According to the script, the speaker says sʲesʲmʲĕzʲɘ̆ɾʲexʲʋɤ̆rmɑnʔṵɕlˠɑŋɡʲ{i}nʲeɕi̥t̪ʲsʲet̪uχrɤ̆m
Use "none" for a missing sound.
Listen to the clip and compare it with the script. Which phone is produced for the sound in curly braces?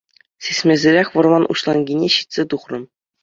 i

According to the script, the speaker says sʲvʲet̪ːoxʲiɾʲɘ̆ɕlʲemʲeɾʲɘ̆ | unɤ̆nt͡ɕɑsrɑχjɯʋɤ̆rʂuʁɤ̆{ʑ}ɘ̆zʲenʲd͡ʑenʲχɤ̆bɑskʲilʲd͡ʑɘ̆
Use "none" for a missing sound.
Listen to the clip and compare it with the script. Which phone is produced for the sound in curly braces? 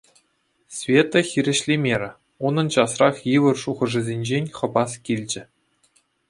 ʐ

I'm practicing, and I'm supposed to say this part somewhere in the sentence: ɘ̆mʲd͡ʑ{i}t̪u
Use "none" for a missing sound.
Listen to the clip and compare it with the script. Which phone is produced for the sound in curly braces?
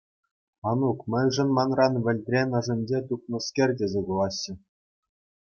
e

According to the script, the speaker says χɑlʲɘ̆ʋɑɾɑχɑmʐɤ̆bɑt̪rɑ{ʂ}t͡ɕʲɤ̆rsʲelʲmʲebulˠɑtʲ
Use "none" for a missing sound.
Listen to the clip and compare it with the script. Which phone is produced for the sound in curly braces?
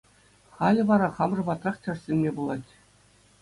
χ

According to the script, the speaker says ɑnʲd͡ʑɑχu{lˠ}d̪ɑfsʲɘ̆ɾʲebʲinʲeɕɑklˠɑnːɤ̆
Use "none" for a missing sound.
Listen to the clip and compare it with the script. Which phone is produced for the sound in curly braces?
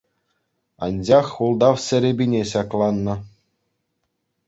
lˠ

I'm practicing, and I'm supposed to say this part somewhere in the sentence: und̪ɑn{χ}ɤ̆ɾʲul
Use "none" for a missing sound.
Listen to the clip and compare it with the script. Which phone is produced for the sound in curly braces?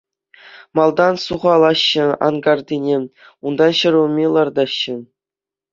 ɕ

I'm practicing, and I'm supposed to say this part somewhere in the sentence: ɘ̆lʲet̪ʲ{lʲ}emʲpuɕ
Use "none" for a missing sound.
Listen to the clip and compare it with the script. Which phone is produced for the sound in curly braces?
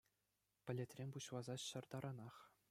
rʲ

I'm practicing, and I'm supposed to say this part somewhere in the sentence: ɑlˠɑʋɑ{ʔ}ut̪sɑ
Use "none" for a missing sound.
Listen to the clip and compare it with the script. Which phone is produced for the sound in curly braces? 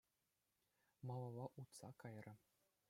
ʔ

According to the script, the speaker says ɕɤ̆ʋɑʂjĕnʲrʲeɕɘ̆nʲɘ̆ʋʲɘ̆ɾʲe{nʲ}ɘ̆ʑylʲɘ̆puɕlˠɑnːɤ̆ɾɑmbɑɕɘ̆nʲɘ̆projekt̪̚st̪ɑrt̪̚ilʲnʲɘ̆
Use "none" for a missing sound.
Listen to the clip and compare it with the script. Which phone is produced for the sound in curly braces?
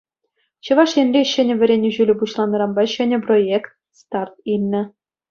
nʲ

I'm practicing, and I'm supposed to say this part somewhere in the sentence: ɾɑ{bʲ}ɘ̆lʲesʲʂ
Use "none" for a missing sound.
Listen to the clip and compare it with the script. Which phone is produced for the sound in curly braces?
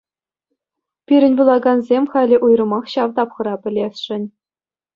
pʲ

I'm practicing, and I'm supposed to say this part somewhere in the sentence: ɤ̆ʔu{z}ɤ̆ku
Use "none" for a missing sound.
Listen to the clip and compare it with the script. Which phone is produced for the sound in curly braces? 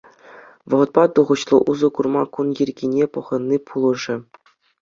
z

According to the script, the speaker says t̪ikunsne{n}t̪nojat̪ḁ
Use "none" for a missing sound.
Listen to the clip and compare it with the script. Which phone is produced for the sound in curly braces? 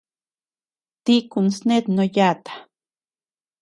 none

